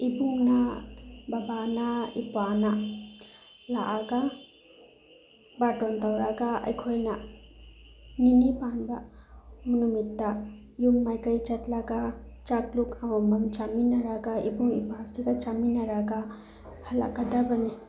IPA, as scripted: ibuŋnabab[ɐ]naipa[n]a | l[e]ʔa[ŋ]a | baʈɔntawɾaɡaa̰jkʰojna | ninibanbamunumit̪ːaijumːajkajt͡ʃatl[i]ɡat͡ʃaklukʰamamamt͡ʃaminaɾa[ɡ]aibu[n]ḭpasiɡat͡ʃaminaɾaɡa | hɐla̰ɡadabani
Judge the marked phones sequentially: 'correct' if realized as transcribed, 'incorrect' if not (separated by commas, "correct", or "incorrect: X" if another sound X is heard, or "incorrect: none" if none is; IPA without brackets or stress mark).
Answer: incorrect: a, correct, incorrect: a, incorrect: ɡ, incorrect: a, correct, incorrect: ŋ